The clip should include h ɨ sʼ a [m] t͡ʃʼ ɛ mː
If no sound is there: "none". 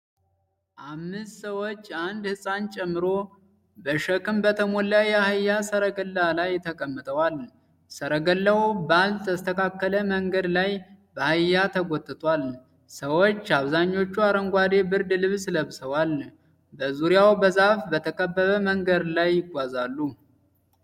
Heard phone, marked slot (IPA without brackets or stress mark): n